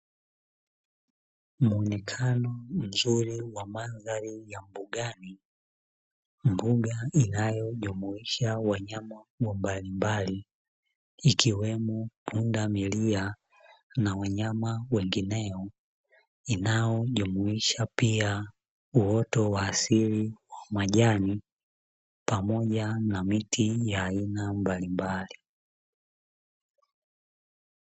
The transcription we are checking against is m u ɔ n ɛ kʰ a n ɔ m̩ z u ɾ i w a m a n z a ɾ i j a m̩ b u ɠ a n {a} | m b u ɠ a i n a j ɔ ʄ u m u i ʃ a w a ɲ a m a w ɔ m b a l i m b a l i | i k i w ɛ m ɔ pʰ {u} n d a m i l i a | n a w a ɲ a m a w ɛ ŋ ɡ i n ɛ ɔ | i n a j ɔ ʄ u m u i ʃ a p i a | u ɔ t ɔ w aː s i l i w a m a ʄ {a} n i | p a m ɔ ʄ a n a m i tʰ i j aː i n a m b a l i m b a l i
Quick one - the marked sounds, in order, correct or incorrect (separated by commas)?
incorrect, correct, correct